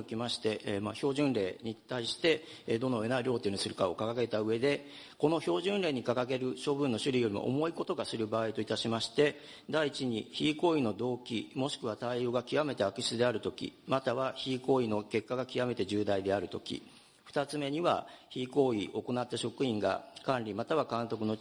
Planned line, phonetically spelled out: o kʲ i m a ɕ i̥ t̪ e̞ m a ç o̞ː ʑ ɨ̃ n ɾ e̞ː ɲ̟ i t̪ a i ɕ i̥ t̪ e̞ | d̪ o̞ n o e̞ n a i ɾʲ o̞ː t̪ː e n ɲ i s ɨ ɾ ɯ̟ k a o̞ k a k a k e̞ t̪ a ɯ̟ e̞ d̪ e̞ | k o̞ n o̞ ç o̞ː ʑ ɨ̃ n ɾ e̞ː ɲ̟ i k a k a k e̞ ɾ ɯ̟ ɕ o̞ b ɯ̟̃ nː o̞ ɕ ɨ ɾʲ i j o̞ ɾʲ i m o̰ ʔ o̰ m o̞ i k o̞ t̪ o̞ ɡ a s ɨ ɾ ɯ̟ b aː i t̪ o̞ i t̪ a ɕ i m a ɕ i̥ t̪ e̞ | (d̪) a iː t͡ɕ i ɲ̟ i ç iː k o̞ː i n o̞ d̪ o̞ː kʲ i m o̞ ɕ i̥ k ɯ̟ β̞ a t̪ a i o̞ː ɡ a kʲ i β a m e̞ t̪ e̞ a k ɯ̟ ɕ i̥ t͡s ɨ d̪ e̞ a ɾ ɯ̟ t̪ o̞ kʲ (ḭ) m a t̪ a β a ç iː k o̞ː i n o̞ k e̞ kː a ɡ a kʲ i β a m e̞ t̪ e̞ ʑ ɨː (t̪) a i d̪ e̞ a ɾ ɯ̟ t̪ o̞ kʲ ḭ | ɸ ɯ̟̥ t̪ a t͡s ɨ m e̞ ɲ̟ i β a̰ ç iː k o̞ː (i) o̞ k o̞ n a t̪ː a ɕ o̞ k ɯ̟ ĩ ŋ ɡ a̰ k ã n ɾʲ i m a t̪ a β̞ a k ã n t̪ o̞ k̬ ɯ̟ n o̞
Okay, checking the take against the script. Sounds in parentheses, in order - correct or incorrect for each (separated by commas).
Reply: correct, correct, incorrect, correct